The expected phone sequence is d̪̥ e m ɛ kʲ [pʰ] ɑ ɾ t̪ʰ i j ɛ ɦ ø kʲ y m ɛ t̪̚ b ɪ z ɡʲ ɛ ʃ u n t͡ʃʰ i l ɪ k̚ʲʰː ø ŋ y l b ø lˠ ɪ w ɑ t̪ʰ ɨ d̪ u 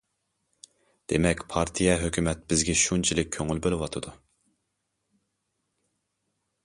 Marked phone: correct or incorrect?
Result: correct